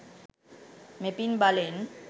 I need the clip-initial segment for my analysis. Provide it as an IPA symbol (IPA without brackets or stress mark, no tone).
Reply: m